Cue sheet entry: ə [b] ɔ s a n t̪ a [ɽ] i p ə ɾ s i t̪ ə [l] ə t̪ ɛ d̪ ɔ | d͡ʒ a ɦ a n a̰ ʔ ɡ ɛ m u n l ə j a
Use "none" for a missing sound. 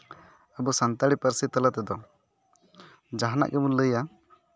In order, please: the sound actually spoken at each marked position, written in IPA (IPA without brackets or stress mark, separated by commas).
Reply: b, ɽ, l